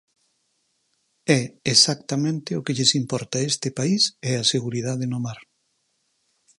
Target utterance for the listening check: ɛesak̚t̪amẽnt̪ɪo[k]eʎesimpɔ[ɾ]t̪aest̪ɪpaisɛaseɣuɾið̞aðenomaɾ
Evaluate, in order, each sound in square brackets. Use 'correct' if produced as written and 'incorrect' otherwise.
correct, correct

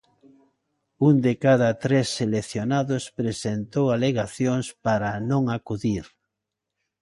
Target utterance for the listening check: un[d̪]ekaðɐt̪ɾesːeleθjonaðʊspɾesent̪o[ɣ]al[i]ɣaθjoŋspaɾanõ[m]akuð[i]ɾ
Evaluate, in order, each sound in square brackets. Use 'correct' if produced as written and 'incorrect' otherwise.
correct, incorrect, incorrect, incorrect, correct

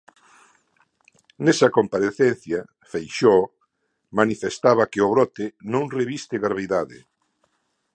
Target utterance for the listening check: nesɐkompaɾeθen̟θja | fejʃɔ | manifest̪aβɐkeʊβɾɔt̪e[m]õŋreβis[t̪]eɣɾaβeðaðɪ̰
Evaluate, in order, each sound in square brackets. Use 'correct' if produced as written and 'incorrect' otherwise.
incorrect, correct

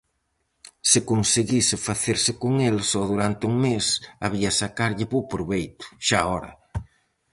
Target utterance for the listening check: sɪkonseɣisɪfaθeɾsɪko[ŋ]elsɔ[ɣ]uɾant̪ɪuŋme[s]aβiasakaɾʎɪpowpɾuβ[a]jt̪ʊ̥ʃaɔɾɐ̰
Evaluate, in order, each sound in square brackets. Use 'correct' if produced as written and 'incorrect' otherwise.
correct, incorrect, correct, incorrect

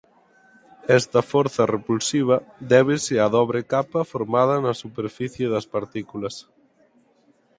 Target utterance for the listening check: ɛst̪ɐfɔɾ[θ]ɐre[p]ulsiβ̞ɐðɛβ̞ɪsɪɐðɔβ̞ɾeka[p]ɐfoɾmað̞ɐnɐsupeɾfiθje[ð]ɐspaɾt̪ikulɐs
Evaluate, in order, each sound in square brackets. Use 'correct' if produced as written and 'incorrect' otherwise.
correct, correct, correct, correct

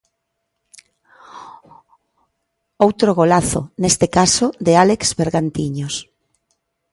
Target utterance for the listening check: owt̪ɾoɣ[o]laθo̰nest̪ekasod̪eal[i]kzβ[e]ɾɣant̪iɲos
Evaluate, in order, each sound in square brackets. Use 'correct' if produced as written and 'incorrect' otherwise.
correct, incorrect, correct

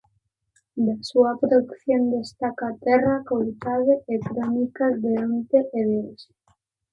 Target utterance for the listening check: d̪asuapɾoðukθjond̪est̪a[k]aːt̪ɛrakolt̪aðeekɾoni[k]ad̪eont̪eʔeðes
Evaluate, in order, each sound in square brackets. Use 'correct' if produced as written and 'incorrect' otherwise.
correct, correct

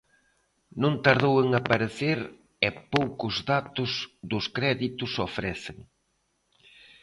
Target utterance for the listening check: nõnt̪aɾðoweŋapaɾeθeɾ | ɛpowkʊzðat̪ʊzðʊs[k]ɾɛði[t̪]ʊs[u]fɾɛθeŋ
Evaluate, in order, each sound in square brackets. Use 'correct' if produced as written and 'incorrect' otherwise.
correct, correct, incorrect

